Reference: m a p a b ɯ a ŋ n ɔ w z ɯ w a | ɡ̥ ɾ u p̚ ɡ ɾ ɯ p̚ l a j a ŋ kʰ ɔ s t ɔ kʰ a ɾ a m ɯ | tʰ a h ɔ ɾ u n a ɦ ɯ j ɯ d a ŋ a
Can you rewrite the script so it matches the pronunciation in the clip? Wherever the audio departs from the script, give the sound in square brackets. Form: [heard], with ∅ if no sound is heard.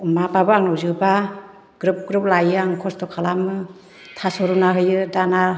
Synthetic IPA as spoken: m a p a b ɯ a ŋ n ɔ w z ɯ [b] a | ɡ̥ ɾ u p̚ ɡ ɾ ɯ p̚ l a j a ŋ kʰ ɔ s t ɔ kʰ a [l] a m ɯ | tʰ a [s] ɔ ɾ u n a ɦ ɯ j ɯ d a [n] a